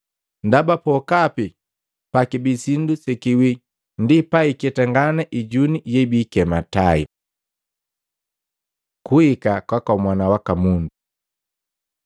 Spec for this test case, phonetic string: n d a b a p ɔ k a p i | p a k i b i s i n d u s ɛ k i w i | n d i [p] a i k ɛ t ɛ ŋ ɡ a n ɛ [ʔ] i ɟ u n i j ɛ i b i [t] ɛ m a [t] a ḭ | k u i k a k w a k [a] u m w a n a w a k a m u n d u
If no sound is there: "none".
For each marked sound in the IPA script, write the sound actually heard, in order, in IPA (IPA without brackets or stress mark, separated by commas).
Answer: p, ʔ, k, t, a